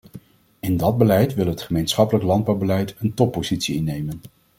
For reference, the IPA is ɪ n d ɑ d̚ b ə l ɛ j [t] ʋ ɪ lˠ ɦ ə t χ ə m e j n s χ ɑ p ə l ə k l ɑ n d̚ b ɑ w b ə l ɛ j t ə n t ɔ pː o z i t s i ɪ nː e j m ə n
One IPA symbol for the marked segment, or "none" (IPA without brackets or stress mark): t